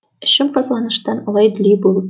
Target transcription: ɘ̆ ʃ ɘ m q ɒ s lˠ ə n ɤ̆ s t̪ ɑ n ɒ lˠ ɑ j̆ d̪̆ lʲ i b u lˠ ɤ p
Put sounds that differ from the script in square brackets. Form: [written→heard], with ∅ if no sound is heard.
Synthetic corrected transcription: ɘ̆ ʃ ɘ m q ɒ [s→z] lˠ [ə→ɑ] n ɤ̆ [s→ʃ] t̪ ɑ n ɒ lˠ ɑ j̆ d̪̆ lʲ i b u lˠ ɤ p